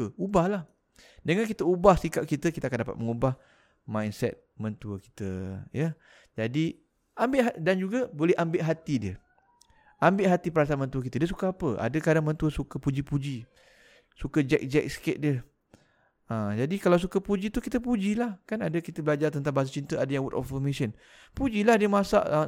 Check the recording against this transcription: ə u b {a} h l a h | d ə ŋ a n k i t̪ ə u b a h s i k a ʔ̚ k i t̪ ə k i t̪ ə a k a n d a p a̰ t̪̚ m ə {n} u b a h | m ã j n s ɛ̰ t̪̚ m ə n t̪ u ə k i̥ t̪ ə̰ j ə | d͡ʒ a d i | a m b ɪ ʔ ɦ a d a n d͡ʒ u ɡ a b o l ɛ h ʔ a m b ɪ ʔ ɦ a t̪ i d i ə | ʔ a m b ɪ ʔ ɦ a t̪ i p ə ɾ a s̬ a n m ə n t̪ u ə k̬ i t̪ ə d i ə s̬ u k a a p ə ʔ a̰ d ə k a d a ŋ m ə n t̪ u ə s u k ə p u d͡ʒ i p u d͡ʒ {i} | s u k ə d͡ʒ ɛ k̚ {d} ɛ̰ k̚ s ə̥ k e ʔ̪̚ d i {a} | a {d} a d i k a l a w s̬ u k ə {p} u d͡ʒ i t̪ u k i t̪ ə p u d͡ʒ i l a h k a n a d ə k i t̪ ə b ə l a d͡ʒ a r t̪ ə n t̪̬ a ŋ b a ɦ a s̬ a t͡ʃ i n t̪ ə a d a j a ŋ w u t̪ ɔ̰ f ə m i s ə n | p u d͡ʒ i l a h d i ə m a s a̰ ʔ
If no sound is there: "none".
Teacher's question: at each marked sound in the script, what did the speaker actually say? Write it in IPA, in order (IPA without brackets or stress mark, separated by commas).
a, ŋ, i, d͡ʒ, ə, d͡ʒ, p